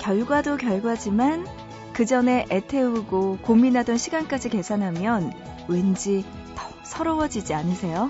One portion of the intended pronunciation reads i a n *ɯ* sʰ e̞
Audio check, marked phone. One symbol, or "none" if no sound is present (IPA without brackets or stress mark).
ɯ